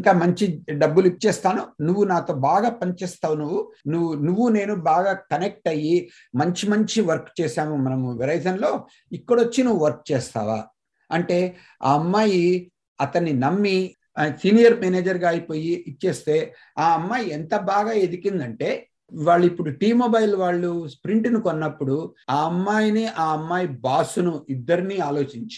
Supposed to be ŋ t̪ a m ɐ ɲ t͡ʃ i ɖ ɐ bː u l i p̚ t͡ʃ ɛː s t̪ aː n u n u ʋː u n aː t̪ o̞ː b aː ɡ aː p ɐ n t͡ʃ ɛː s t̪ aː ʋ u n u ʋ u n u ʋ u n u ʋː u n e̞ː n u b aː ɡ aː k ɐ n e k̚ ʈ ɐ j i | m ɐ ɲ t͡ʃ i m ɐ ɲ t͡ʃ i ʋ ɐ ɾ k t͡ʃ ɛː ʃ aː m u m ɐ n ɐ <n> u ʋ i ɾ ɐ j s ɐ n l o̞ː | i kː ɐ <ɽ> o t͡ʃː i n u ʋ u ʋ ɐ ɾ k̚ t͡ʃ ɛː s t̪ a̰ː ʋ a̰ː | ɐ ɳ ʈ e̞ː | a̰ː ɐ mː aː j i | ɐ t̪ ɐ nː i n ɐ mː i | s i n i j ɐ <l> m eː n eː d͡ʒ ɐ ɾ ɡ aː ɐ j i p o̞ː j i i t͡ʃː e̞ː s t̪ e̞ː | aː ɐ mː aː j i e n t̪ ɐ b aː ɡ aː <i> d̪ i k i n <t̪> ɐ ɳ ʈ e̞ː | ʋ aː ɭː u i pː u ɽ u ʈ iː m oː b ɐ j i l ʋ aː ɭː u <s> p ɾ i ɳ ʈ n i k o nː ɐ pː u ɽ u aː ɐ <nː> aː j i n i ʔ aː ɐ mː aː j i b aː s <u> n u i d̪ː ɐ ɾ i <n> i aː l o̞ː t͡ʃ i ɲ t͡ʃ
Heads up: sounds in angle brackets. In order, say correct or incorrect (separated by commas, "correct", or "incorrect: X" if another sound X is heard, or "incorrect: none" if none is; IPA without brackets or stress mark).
incorrect: m, correct, incorrect: ɾ, incorrect: e, incorrect: d̪, correct, incorrect: mː, correct, correct